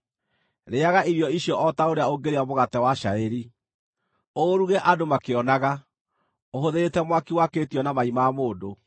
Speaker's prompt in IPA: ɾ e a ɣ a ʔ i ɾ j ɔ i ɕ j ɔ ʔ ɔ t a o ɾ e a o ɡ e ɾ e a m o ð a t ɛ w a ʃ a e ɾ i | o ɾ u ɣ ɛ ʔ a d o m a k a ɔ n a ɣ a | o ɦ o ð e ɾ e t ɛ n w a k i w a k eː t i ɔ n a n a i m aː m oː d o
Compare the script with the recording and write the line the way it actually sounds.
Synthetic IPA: ɾ e a ɣ a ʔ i ɾ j ɔ i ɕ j ɔ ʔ ɔ t a o ɾ e a o ɡ e ɾ e a m o ɣ a t ɛ w a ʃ a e ɾ i | o ɾ u ɣ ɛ ʔ a d o m a k e ɔ n a ɣ a | o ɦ o ð e ɾ e t ɛ m w a k i w a k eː t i ɔ n a m a i m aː m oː d o